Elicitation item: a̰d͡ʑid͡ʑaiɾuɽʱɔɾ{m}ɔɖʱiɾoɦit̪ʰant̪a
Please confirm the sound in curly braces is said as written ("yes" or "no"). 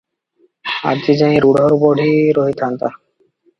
no